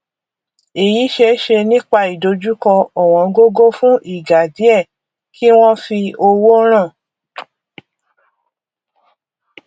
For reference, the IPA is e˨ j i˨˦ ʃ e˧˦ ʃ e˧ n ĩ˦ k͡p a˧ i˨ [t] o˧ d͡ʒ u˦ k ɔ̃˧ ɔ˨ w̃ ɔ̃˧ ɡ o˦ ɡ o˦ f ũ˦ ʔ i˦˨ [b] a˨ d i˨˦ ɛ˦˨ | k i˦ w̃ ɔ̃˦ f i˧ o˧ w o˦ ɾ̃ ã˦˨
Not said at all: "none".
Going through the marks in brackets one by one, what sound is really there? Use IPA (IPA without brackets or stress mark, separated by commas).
d, ɡ